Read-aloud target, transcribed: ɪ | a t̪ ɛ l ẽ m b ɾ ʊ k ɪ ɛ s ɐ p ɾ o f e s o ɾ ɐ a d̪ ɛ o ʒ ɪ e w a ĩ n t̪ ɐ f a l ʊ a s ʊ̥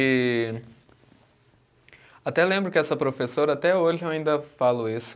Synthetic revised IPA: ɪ | a t̪ ɛ l ẽ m b ɾ ʊ k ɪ ɛ s ɐ p ɾ o f e s o ɾ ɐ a t̪ ɛ o ʒ ɪ e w a ĩ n d̪ ɐ f a l ʊ i s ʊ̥